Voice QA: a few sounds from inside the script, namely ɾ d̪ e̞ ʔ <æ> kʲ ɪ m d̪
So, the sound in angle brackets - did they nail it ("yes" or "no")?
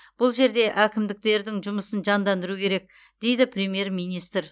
yes